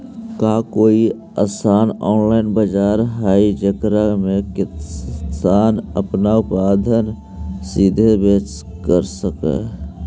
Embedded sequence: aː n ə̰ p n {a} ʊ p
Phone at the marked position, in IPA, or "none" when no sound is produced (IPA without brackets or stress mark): a